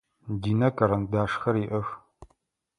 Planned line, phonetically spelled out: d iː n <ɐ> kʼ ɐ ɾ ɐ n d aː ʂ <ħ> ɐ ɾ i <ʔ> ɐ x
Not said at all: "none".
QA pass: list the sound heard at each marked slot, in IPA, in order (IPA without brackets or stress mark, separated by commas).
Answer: ɐ, x, ʔ